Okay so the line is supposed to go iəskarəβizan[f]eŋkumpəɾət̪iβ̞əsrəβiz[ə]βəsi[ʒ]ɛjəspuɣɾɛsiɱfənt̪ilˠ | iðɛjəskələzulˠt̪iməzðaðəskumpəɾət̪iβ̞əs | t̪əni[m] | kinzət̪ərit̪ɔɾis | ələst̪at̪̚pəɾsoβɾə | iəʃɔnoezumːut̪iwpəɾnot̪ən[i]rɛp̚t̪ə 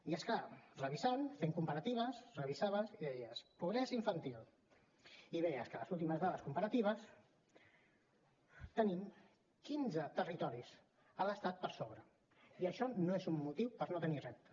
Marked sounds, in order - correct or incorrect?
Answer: correct, incorrect: a, incorrect: ð, correct, correct

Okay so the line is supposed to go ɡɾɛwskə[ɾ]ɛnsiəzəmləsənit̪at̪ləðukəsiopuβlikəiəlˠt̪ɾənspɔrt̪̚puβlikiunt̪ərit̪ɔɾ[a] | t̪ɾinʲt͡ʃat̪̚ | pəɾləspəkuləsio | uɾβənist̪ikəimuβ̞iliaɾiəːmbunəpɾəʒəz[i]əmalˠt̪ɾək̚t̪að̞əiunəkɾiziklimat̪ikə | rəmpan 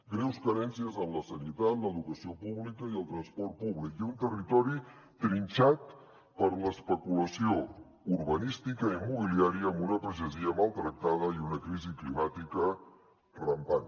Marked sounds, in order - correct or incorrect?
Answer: correct, incorrect: i, correct

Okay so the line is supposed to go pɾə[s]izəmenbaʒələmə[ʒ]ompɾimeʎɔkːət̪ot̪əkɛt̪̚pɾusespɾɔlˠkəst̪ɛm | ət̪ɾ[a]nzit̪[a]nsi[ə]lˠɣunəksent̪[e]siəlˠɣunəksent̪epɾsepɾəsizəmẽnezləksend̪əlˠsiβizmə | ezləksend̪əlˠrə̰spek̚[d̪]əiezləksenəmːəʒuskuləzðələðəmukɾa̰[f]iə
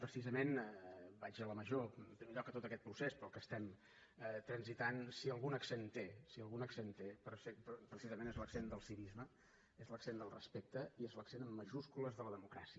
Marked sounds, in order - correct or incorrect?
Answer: correct, correct, incorrect: ə, correct, correct, correct, incorrect: t̪, incorrect: s

